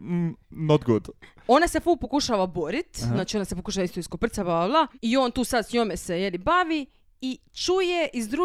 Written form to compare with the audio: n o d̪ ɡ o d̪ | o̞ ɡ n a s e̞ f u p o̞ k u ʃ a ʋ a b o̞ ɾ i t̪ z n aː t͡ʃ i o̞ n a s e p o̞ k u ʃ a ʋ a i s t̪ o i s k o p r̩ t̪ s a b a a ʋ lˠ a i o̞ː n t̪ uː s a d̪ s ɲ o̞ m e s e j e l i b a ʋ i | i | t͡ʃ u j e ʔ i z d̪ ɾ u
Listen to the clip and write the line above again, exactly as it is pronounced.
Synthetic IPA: n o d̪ ɡ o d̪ | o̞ n a s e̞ f u p o̞ k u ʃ a ʋ a b o̞ ɾ i t̪ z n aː t͡ʃ i o̞ n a s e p o̞ k u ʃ a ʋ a i s t̪ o i s k o p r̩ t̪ s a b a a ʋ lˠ a i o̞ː n t̪ uː s a d̪ s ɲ o̞ m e s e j e l i b a ʋ i | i | t͡ʃ u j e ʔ i z d̪ ɾ u